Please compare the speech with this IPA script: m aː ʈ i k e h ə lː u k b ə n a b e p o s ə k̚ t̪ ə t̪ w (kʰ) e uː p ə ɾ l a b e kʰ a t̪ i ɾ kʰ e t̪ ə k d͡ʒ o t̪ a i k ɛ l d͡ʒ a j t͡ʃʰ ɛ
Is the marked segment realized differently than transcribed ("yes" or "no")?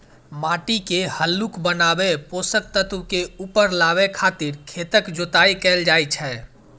yes